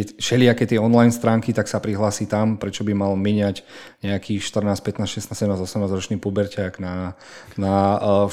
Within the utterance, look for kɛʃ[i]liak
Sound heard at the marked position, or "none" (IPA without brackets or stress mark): ɛ